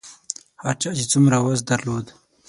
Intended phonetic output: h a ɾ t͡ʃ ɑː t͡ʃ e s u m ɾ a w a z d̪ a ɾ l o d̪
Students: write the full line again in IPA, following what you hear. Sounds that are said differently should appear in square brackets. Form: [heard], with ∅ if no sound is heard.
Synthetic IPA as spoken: h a ɾ t͡ʃ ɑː t͡ʃ e [t͡s] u m ɾ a w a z d̪ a ɾ l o d̪